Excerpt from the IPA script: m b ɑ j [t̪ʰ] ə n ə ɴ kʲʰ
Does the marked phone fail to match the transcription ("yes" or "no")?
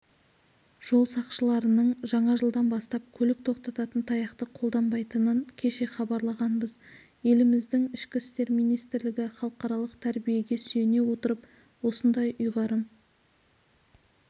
yes